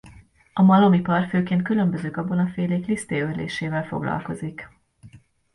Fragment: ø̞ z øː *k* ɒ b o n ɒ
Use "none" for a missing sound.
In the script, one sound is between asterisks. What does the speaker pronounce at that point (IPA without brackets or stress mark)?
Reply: k